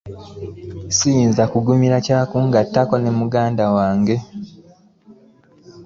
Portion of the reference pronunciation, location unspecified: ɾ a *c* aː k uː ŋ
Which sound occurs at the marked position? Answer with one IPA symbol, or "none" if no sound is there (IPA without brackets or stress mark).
c